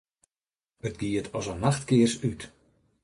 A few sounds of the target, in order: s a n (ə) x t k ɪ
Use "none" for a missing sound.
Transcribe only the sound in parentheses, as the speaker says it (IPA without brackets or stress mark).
a